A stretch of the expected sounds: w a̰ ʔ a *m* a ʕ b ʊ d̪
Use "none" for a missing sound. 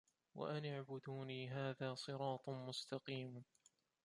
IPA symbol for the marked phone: n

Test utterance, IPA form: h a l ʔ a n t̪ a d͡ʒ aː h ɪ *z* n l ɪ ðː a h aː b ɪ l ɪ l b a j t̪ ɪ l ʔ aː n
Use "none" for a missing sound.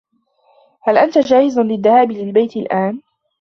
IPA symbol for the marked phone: z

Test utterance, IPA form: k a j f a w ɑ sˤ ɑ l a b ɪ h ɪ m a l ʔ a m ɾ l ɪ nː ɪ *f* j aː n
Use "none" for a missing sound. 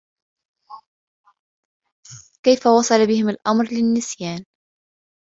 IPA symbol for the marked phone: s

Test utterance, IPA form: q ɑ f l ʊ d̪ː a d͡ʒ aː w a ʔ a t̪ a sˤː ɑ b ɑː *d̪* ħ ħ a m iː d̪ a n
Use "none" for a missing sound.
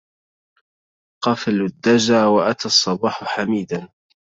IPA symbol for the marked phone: none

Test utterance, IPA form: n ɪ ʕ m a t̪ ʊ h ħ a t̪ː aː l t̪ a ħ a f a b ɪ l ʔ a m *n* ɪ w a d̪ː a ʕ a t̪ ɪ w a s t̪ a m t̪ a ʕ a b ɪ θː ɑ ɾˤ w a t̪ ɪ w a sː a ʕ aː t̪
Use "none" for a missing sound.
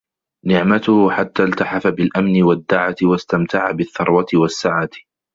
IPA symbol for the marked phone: n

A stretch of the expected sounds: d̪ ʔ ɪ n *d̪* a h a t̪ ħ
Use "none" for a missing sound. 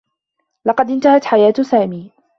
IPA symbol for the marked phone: t̪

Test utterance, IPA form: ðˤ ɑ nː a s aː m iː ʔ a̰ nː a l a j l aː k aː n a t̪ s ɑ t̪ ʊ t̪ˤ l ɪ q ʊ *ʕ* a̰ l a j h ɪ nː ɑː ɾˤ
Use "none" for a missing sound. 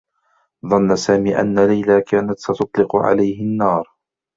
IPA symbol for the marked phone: ʕ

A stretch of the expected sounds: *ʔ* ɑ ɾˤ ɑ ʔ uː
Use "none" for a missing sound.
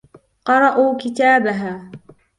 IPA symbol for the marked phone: q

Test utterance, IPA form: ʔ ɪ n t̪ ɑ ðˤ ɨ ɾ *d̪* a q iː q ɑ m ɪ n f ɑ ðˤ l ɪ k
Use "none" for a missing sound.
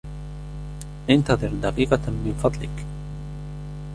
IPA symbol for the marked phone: d̪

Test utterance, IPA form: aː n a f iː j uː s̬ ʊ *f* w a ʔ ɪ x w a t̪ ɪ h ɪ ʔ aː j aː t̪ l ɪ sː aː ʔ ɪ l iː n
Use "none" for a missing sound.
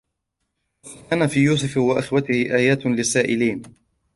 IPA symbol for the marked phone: f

